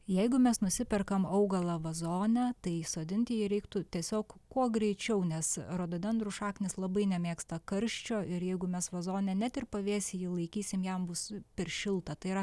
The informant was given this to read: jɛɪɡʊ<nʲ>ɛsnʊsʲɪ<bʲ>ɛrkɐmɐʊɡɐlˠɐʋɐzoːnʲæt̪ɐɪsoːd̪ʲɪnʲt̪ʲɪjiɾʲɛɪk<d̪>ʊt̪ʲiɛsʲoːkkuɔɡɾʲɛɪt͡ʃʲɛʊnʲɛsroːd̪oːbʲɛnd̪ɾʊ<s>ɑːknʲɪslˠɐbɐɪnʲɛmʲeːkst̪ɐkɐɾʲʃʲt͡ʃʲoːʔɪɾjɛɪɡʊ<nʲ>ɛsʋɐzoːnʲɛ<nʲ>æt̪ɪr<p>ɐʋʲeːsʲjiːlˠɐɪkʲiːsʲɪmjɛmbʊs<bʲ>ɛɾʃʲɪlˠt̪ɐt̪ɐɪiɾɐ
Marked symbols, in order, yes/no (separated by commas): no, no, no, no, no, yes, yes, no